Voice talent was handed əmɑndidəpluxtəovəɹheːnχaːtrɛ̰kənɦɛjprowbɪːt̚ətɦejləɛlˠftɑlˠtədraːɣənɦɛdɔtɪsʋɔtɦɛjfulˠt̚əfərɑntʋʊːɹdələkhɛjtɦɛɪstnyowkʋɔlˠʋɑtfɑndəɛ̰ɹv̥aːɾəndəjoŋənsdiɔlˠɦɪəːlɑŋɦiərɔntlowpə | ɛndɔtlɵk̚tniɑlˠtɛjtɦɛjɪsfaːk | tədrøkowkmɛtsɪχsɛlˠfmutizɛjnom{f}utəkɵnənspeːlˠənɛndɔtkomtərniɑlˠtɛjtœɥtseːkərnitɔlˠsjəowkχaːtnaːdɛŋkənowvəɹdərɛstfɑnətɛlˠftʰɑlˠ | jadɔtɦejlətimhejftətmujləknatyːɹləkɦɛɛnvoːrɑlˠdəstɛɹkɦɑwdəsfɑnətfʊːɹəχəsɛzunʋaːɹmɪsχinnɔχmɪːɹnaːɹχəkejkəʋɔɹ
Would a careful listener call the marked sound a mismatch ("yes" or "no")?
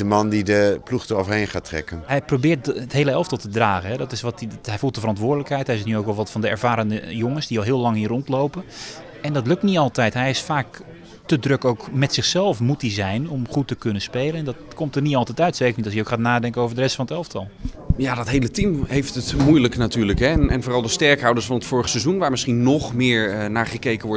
yes